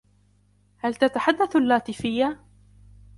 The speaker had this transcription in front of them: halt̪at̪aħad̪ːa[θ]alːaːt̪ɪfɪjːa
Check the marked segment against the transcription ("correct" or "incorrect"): correct